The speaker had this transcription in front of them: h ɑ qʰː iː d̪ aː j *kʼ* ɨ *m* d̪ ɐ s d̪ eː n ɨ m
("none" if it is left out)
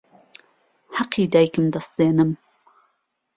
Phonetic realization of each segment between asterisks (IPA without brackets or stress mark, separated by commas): k, m